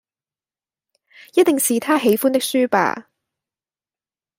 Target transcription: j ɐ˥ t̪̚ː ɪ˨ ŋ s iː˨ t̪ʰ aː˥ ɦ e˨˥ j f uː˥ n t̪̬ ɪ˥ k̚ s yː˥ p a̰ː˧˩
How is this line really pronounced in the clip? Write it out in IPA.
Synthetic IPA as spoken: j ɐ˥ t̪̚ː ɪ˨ ŋ s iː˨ t̪ʰ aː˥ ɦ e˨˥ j f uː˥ n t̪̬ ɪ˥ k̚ s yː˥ p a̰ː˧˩